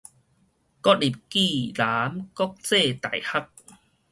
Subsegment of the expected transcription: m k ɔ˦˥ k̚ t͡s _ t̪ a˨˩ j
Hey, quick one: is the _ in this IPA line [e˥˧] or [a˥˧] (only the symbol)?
e˥˧